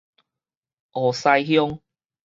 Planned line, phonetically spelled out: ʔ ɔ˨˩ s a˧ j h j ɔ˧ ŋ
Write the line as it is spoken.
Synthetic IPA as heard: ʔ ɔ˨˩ s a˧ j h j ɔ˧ ŋ